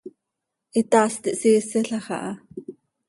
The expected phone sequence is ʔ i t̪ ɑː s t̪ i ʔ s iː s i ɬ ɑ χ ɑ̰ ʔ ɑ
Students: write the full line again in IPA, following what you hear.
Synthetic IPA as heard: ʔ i t̪ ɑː s t̪ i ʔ s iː s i ɬ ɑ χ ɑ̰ ʔ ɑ